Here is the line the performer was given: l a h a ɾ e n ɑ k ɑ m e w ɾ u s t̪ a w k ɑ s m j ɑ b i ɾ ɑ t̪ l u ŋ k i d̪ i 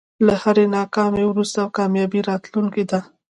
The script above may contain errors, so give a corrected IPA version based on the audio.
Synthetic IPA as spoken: l a h a ɾ e n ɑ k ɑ m e w ɾ u s t̪ a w k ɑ m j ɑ b i ɾ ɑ t̪ l u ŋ k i d̪ a